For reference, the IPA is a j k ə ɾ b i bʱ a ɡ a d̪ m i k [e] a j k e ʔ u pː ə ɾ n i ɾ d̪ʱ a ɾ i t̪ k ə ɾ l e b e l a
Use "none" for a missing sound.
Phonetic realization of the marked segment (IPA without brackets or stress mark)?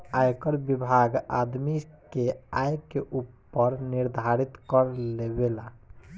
e